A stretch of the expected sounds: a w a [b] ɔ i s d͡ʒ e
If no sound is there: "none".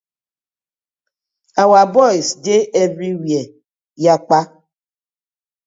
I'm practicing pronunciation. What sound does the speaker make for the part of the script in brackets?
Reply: b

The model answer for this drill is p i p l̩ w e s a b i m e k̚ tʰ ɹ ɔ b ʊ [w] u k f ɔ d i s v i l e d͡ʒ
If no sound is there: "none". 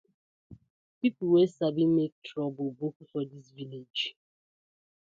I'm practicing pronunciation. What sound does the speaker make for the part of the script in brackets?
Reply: b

